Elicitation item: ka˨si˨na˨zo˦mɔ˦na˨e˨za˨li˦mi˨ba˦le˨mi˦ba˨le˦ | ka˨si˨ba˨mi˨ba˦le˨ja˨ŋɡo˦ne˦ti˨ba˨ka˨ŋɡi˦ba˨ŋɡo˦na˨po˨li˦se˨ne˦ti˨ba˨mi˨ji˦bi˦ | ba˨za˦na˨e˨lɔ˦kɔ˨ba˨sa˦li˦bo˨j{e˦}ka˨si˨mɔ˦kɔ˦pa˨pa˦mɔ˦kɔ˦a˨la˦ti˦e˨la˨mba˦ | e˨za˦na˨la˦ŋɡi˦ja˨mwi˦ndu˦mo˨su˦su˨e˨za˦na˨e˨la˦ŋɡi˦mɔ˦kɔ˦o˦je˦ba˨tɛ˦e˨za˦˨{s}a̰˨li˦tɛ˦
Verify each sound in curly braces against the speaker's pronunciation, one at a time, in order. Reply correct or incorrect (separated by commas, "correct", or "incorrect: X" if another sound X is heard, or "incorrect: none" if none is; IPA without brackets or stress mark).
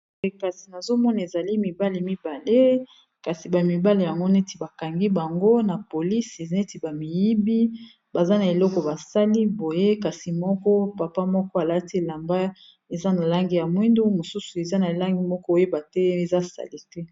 correct, correct